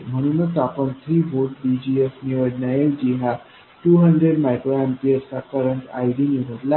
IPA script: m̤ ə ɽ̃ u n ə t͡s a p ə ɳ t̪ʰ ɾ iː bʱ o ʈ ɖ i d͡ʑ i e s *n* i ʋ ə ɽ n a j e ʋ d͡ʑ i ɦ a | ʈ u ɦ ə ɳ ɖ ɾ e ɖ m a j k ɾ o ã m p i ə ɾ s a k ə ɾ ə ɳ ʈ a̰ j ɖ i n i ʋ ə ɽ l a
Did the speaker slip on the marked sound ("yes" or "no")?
no